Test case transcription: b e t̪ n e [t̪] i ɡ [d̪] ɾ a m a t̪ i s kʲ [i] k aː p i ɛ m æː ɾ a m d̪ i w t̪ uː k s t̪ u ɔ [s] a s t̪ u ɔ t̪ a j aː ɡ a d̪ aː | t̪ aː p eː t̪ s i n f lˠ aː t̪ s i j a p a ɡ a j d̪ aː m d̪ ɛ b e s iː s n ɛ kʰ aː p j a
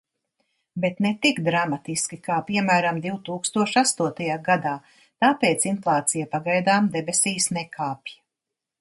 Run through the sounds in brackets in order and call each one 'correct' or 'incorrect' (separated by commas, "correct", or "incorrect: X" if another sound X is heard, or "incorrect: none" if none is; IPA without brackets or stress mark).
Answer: correct, correct, correct, incorrect: ʃ